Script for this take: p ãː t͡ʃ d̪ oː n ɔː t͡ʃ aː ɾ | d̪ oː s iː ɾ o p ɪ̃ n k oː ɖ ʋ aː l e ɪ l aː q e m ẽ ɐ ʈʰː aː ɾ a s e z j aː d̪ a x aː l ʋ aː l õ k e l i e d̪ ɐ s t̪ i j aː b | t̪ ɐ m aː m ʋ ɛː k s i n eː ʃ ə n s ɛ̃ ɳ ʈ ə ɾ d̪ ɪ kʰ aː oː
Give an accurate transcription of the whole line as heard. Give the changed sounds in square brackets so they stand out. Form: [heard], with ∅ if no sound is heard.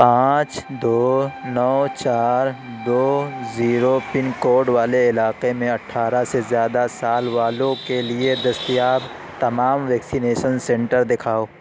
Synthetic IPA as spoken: p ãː t͡ʃ d̪ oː n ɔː t͡ʃ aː ɾ | d̪ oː [z] iː ɾ o p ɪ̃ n k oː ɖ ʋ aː l e ɪ l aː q e m ẽ ɐ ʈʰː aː ɾ a s e z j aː d̪ a [s] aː l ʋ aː l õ k e l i e d̪ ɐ s t̪ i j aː b | t̪ ɐ m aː m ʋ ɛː k s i n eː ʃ ə n s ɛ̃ ɳ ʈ ə ɾ d̪ ɪ kʰ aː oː

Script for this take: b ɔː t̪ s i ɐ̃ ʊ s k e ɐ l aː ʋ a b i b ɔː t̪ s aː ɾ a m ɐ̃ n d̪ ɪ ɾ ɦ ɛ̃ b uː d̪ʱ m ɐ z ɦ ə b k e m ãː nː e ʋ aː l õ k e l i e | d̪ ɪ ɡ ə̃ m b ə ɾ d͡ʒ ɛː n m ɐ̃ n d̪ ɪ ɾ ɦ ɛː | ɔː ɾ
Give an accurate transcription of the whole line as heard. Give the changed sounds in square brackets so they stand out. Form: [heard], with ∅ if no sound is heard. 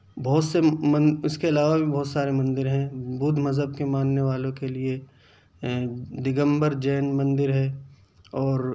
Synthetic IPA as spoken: b ɔː t̪ s [e] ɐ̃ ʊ s k e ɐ l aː ʋ a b i b ɔː t̪ s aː ɾ [e] m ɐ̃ n d̪ ɪ ɾ ɦ ɛ̃ b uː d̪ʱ m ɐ z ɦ ə b k e m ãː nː e ʋ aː l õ k e l i e | d̪ ɪ ɡ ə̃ m b ə ɾ d͡ʒ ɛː n m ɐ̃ n d̪ ɪ ɾ ɦ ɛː | ɔː ɾ

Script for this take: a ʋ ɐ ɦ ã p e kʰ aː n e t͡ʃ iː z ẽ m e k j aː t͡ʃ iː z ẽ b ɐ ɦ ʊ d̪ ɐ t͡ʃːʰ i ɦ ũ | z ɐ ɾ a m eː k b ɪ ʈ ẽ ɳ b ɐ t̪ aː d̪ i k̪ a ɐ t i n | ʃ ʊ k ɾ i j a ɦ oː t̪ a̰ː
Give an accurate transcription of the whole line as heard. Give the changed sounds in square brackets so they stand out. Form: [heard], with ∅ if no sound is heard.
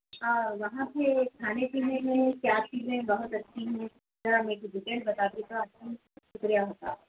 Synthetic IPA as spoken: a ʋ ɐ ɦ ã p e kʰ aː n e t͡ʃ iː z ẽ m [ẽ] k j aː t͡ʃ iː z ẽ b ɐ ɦ ʊ [t̪] ɐ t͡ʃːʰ i ɦ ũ | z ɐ ɾ a m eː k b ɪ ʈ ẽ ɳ b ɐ t̪ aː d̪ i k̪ a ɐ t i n | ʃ ʊ k ɾ i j a ɦ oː t̪ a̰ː

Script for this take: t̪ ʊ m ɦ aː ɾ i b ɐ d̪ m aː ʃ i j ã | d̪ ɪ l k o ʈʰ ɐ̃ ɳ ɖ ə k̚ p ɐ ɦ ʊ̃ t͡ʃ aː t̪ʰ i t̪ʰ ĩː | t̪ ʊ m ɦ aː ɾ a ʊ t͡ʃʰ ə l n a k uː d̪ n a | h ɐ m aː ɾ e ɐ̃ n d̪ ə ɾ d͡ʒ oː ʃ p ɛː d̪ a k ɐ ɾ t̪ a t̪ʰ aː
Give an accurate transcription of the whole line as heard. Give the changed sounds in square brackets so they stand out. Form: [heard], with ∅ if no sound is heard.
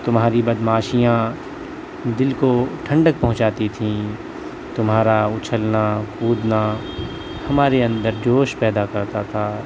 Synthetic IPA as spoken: t̪ ʊ m ɦ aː ɾ i b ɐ d̪ m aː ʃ i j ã | d̪ ɪ l k o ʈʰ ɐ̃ ɳ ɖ ə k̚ p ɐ ɦ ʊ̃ t͡ʃ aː [t̪] i t̪ʰ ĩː | t̪ ʊ m ɦ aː ɾ a ʊ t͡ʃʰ ə l n a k uː d̪ n a | h ɐ m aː ɾ e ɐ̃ n d̪ ə ɾ d͡ʒ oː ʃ p ɛː d̪ a k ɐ ɾ t̪ a t̪ʰ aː

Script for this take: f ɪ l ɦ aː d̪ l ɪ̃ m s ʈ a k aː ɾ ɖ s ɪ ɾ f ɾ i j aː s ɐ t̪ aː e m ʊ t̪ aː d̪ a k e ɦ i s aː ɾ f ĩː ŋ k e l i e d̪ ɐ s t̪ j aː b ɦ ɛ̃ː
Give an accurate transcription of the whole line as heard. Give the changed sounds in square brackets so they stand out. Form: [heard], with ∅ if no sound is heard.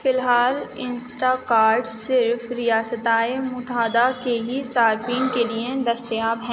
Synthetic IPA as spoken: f ɪ l ɦ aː [∅] l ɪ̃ [n] s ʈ a k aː ɾ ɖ s ɪ ɾ f ɾ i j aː s [ə] t̪ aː e m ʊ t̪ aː d̪ a k e ɦ i s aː ɾ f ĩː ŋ k e l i e d̪ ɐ s t̪ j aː b ɦ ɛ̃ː

